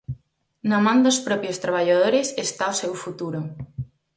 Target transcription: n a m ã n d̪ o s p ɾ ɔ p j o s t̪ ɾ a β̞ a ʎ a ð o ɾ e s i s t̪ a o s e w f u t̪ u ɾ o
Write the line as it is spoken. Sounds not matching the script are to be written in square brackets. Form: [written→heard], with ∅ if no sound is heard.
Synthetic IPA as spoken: n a m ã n d̪ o s p ɾ ɔ p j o s t̪ ɾ a β̞ a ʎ a ð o ɾ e s [i→e] s t̪ a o s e w f u t̪ u ɾ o